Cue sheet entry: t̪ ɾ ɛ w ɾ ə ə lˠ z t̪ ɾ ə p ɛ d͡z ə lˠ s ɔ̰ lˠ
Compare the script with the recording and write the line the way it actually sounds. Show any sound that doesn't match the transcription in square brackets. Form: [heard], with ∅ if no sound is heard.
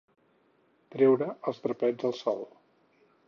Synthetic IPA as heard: t̪ ɾ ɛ w ɾ ə ə lˠ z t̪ ɾ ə p ɛ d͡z ə lˠ s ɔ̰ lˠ